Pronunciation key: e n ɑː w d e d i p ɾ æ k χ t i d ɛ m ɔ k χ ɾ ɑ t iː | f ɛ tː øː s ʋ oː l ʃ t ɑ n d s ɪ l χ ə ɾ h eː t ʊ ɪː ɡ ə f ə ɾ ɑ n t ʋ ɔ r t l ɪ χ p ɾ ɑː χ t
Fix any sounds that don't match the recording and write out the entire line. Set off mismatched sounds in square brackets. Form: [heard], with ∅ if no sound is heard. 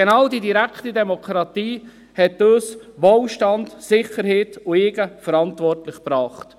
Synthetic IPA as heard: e n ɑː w d [i] d i [∅] ɾ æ k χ t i d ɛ m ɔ k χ ɾ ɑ t iː | [h] ɛ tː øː s ʋ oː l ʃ t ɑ n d s ɪ [∅] χ ə ɾ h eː t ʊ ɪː ɡ ə f ə ɾ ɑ n t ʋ ɔ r t l ɪ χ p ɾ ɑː χ t

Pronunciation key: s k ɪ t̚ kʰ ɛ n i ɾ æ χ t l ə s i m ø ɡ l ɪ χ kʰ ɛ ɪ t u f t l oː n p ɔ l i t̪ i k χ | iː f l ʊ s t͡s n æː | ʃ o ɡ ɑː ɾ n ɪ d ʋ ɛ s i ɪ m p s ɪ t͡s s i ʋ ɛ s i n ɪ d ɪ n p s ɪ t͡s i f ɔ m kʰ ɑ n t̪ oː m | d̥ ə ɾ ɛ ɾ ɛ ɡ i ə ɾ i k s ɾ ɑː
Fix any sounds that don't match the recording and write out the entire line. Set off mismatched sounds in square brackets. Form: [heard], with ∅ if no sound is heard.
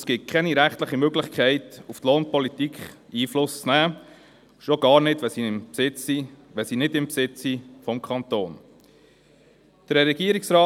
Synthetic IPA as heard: s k ɪ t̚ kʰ ɛ n i ɾ æ χ t l ə [χ] i m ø ɡ l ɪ χ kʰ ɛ ɪ t u f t l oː n p ɔ l i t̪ i k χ | iː f l ʊ s t͡s n æː | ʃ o ɡ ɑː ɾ n ɪ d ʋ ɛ s i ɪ m p s ɪ t͡s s i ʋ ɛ s i n ɪ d ɪ [m] p s ɪ t͡s i f ɔ m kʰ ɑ n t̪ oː [n] | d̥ ə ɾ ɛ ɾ ɛ ɡ i ə ɾ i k s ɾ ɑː

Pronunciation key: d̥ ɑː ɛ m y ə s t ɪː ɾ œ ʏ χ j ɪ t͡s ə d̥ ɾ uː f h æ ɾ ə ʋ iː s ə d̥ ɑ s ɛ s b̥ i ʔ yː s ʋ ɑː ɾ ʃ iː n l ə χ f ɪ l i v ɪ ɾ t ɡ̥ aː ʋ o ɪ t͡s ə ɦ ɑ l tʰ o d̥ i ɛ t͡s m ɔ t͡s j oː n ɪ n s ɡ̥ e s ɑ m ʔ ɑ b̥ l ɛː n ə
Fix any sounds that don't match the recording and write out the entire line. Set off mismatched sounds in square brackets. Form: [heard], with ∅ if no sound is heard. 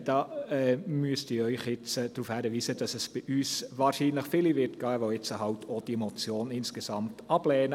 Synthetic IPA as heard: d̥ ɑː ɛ m y ə s t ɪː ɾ œ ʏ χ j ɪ t͡s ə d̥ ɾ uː f h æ ɾ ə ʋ iː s ə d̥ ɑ s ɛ s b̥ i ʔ yː s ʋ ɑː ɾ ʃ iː n l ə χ f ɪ l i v ɪ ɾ t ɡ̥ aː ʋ o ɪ t͡s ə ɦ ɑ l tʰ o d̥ i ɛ [∅] m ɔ t͡s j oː n ɪ n s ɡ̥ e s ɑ m [t] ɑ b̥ l ɛː n ə

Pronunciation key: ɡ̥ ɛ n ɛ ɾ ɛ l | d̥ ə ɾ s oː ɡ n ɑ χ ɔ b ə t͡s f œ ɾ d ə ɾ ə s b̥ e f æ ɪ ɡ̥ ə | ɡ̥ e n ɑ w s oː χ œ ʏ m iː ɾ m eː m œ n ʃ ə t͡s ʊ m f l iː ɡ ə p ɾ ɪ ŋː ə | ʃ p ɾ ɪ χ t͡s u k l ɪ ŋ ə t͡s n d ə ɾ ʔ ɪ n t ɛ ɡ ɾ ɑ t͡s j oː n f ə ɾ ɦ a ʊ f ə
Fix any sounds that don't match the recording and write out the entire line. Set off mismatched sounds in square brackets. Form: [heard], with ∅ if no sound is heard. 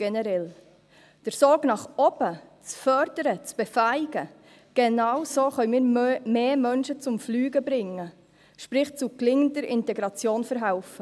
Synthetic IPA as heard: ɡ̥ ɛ n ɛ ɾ ɛ l | d̥ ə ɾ s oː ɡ n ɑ χ ɔ b ə t͡s f œ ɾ d ə ɾ ə [t͡s] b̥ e f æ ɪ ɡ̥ ə | ɡ̥ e n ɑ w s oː χ œ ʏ m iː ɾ m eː m œ n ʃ ə t͡s ʊ m f l [yː] ɡ ə [b] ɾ ɪ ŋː ə | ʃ p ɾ ɪ χ t͡s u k l ɪ ŋ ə [∅] n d ə ɾ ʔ ɪ n t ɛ ɡ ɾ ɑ t͡s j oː n f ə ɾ ɦ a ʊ f ə

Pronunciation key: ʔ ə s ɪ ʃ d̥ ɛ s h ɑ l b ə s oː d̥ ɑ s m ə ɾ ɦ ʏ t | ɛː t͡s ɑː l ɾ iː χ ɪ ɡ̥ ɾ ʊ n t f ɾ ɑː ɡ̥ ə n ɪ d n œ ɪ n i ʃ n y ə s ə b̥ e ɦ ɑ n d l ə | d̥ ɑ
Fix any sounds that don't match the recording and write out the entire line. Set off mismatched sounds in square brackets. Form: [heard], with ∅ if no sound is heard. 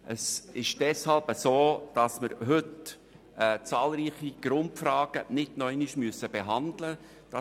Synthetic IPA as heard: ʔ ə s ɪ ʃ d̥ ɛ s h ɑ l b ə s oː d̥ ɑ s m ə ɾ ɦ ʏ t | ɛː t͡s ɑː l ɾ iː χ [i] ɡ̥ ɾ ʊ n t f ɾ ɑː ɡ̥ ə n ɪ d n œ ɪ n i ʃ [m] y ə s ə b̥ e ɦ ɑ n d l ə | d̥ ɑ

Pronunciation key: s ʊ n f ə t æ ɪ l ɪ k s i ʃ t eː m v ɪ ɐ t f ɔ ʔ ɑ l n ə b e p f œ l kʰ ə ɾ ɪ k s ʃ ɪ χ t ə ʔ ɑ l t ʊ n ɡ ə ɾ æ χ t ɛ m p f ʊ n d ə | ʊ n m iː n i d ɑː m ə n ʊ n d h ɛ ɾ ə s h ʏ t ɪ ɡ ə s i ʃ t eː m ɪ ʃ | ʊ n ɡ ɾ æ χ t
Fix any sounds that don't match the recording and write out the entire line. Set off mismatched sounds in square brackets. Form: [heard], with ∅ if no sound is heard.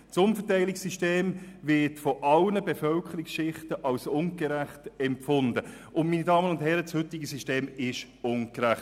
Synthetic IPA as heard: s ʊ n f ə t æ ɪ l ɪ k s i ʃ t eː m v ɪ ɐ t f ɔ ʔ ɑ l n ə b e [∅] f œ l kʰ ə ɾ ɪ k s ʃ ɪ χ t ə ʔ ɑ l [s] ʊ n ɡ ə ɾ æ χ t ɛ m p f ʊ n d ə | ʊ n m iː n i d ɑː m ə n ʊ n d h ɛ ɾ ə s h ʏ t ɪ ɡ ə s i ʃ t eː m ɪ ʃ | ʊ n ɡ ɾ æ χ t

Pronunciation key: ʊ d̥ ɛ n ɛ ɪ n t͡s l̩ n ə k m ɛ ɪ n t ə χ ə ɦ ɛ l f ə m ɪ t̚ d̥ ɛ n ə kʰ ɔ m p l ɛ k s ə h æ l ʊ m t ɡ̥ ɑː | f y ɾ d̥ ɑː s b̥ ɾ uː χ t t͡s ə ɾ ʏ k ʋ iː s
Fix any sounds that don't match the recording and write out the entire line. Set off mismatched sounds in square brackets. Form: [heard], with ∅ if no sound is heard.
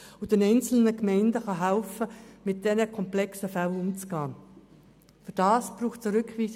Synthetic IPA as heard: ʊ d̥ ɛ n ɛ ɪ n t͡s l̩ n ə k m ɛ ɪ n [d] ə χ [ɑ] ɦ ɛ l f ə m ɪ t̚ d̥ ɛ n ə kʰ ɔ m p l ɛ k s ə [f] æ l ʊ m [t͡s] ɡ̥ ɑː | f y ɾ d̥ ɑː s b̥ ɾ uː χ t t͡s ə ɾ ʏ k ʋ iː s

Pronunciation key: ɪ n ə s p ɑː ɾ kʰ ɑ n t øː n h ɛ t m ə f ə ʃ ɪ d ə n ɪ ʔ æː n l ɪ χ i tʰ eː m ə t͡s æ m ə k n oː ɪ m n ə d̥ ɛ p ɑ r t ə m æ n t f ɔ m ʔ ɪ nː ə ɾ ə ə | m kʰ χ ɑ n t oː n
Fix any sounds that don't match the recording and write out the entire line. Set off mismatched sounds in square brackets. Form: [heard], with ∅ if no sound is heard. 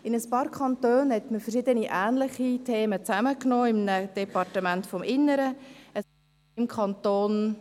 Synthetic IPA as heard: ɪ n ə s p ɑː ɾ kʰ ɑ n t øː n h ɛ t m ə f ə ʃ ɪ d ə n [i] ʔ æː n l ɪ χ i tʰ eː m ə t͡s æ m ə k n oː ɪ m n ə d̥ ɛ p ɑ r t ə m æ n t f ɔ m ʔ ɪ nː ə ɾ ə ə | m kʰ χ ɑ n t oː n

